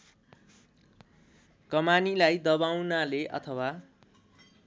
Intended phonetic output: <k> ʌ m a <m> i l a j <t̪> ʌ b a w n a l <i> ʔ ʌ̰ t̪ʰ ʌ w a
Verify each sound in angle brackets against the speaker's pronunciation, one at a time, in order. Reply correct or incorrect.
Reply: correct, incorrect, incorrect, incorrect

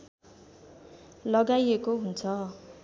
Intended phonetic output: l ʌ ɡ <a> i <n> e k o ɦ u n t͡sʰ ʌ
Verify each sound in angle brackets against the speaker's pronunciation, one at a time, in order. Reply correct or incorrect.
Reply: correct, incorrect

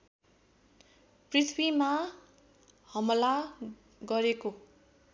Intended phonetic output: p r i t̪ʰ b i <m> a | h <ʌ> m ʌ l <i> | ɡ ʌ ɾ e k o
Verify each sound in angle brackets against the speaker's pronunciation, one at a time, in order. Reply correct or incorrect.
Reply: correct, correct, incorrect

